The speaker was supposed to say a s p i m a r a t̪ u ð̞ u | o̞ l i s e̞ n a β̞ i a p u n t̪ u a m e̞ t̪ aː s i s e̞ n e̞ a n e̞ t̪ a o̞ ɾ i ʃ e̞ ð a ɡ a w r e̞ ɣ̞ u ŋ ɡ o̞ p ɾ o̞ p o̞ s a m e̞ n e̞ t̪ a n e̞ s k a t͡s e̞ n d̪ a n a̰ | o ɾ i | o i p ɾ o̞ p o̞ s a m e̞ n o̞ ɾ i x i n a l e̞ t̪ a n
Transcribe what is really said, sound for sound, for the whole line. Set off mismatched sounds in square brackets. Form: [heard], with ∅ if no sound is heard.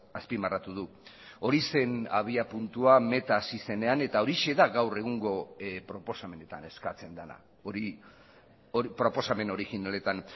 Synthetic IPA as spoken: a s p i m a r a t̪ u ð̞ u | o̞ [ɾ] i s e̞ n a β̞ i a p u n t̪ u a m e̞ t̪ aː s i s e̞ n e̞ a n e̞ t̪ a o̞ ɾ i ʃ e̞ ð a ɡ a w r e̞ ɣ̞ u ŋ ɡ o̞ p ɾ o̞ p o̞ s a m e̞ n e̞ t̪ a n e̞ s k a t͡s e̞ n d̪ a n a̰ | o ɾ i | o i p ɾ o̞ p o̞ s a m e̞ n o̞ ɾ i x i n a l e̞ t̪ a n